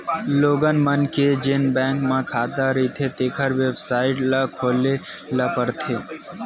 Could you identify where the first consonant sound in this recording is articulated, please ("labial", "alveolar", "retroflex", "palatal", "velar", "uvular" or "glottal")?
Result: alveolar